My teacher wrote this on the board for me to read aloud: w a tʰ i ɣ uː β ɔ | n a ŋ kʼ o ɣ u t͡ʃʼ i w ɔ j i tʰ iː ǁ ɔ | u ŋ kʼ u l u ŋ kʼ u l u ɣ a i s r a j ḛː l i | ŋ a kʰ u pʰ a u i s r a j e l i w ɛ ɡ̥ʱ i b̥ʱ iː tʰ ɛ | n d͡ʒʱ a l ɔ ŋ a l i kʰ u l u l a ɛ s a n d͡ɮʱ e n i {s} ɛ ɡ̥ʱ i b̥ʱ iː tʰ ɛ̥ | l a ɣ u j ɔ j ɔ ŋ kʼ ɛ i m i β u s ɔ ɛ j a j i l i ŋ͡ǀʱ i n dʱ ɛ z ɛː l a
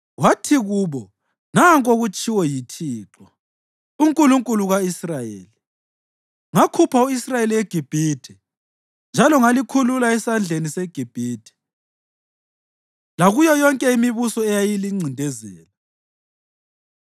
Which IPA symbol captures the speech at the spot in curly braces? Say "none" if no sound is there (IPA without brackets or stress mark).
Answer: s